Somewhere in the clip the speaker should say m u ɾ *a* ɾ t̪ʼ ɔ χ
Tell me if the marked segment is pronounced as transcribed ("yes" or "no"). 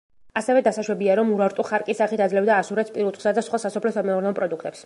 yes